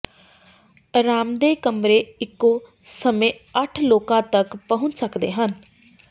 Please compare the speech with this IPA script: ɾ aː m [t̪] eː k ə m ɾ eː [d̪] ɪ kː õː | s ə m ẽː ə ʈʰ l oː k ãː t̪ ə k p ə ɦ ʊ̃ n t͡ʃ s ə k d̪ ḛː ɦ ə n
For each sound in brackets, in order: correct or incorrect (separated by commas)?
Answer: incorrect, incorrect